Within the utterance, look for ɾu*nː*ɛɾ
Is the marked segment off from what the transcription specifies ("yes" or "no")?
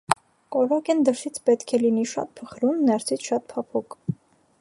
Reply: no